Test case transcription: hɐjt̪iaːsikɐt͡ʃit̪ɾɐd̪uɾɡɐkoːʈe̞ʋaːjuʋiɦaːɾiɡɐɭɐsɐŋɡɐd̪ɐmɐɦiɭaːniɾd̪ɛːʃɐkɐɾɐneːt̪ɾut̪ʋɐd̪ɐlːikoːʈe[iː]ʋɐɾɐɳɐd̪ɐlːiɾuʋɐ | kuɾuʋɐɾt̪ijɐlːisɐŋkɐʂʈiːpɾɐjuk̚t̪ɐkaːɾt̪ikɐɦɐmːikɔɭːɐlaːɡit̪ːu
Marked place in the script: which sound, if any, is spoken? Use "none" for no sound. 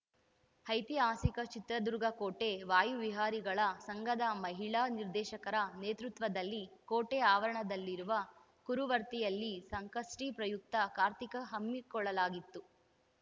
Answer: aː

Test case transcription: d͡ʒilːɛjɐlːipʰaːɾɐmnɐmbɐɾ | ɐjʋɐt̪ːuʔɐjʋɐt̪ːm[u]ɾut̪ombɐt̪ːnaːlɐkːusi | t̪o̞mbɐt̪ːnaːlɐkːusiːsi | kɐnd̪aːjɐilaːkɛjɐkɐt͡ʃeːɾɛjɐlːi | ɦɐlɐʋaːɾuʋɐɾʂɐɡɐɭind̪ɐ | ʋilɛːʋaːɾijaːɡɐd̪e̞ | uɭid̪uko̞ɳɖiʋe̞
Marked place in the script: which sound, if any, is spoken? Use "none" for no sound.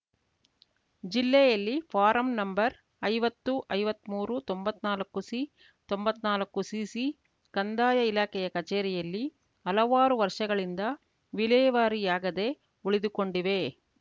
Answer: uː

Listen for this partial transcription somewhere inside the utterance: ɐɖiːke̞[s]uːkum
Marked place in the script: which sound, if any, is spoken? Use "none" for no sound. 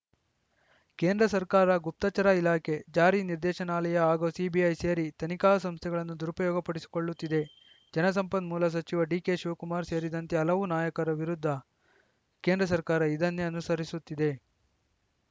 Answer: ʃ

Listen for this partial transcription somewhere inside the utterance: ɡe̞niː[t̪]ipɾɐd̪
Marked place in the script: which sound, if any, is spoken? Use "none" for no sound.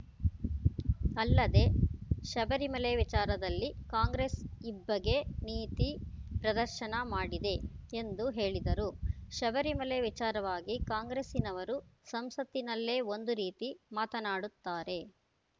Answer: t̪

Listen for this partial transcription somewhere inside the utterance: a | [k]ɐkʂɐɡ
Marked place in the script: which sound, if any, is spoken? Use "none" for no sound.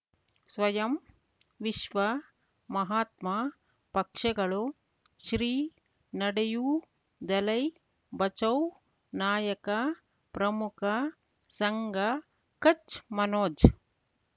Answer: p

